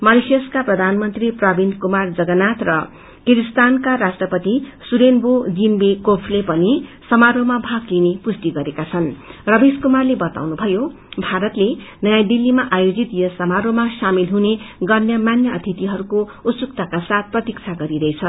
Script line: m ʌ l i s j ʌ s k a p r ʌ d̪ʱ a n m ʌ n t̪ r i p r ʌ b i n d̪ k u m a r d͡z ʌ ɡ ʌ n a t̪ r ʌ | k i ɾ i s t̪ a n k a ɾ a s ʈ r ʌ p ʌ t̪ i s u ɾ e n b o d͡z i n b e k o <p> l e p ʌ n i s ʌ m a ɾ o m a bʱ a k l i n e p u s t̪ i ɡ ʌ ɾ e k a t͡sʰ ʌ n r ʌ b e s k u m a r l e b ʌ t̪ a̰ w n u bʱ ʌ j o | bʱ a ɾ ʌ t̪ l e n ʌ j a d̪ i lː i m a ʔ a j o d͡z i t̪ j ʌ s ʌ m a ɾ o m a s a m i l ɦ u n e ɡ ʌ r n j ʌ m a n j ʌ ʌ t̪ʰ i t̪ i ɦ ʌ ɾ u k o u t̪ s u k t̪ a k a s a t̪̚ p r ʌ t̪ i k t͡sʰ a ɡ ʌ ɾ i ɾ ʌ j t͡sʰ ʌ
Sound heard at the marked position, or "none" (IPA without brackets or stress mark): pʰ